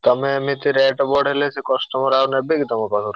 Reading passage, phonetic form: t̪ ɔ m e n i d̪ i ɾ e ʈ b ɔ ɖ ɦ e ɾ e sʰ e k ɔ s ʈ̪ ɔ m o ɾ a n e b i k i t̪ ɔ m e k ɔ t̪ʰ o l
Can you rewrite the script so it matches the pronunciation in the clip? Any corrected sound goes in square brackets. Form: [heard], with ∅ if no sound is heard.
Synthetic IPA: t̪ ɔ m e [m] i [t̪] i ɾ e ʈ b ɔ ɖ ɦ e [l] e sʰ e k ɔ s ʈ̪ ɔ m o ɾ a n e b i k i t̪ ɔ m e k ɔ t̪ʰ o [ɾ]